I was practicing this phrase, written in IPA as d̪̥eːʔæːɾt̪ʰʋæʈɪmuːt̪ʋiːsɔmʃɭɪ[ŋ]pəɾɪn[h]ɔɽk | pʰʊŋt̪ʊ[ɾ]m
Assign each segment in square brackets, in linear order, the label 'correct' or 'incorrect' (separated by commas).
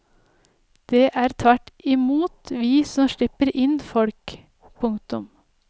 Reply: incorrect, incorrect, incorrect